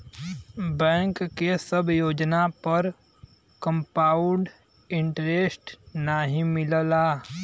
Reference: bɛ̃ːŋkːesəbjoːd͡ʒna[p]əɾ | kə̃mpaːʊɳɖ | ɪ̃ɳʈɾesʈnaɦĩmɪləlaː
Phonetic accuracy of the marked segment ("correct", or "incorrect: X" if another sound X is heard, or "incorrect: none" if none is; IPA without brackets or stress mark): correct